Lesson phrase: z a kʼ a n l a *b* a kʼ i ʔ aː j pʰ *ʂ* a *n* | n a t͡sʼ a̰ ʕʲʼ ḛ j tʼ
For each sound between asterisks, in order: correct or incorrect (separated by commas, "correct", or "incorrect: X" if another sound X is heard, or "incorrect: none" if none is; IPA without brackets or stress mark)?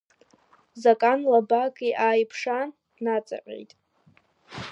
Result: correct, correct, correct